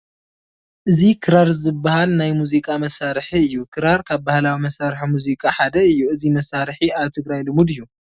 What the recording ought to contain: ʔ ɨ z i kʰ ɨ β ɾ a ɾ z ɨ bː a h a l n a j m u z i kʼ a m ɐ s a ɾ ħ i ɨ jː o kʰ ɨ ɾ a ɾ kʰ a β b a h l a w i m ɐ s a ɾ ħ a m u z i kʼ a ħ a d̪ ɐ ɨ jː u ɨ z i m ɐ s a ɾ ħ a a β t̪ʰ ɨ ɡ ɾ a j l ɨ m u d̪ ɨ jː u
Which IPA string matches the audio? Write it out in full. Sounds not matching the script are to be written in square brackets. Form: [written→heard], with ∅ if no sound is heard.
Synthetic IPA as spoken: ʔ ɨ z i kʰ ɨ [β→∅] ɾ a ɾ z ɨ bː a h a l n a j m u z i kʼ a m ɐ s a ɾ ħ i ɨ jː [o→u] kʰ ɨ ɾ a ɾ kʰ a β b a h l a w i m ɐ s a ɾ ħ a m u z i kʼ a ħ a d̪ ɐ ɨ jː u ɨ z i m ɐ s a ɾ ħ [a→i] a β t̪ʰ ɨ ɡ ɾ a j l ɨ m u d̪ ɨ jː u